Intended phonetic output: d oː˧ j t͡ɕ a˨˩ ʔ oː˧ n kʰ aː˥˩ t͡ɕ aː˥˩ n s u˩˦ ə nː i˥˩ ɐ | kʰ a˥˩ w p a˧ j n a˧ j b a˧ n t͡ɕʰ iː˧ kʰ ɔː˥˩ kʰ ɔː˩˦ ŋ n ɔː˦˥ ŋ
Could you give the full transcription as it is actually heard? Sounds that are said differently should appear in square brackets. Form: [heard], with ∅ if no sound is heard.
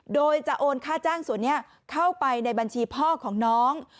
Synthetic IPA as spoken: d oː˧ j t͡ɕ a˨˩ ʔ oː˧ n kʰ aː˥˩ t͡ɕ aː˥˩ [ŋ] s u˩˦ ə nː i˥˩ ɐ | kʰ a˥˩ w p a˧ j n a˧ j b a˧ n t͡ɕʰ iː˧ [pʰ] ɔː˥˩ kʰ ɔː˩˦ ŋ n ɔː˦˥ ŋ